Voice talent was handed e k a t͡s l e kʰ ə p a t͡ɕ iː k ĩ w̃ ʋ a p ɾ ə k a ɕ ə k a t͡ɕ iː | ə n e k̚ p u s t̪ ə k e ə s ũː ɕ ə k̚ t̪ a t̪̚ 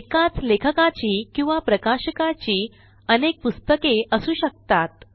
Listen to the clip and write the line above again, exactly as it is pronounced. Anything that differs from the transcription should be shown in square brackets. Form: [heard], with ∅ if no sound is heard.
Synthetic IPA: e k a t͡s l e kʰ ə [k] a t͡ɕ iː k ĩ w̃ ʋ a p ɾ ə k a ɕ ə k a t͡ɕ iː | ə n e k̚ p u s t̪ ə k e ə s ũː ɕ ə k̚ t̪ a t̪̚